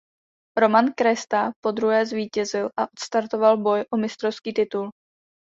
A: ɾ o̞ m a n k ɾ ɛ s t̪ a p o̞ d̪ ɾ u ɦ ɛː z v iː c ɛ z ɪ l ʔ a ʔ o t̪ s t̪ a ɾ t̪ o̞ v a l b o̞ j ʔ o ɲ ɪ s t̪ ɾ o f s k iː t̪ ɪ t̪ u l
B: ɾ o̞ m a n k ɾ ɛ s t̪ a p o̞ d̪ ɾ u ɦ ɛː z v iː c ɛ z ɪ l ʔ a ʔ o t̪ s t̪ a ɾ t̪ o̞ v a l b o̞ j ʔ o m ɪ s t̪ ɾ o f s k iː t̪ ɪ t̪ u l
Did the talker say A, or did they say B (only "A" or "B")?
B